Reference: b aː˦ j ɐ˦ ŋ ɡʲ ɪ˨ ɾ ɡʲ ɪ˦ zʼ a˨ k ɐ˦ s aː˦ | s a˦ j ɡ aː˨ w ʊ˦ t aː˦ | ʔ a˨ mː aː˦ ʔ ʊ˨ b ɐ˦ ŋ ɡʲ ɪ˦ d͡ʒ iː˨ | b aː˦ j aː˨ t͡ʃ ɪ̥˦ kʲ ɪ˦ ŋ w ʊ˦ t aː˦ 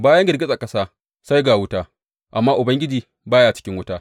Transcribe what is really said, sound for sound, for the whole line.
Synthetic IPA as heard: b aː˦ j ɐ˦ ŋ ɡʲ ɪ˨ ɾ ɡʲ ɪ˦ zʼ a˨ k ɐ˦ s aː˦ | s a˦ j ɡ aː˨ w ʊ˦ t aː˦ | ʔ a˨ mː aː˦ ʔ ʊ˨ b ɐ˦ ŋ ɡʲ ɪ˦ d͡ʒ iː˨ | b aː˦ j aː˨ t͡ʃ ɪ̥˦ kʲ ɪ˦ ŋ w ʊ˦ t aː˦